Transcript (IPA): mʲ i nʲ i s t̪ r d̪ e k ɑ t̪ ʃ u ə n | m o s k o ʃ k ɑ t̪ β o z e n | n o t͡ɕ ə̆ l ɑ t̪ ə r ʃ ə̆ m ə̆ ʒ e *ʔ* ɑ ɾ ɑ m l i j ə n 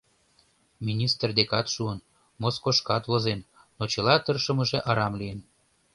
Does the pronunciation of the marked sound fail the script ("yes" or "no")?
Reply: no